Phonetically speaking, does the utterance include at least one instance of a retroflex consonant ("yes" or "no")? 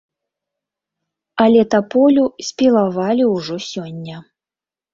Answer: yes